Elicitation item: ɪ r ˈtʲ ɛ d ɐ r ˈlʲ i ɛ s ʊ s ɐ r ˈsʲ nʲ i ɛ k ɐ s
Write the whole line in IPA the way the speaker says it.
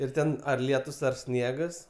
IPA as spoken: ɪ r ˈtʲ ɛ n ɐ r ˈlʲ i ɛ t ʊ s ɐ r ˈsʲ nʲ i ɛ ɡ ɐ s